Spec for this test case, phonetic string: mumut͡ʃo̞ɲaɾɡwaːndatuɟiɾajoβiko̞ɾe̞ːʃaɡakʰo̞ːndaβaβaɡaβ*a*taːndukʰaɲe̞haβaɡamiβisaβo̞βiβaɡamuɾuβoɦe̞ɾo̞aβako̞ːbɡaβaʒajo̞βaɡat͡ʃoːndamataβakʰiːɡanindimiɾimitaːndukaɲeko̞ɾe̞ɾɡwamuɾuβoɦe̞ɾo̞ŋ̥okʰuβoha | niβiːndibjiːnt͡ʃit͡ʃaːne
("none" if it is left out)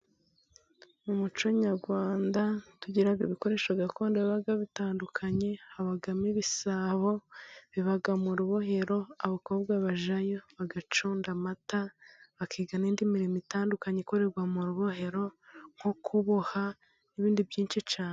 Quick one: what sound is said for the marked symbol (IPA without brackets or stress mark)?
i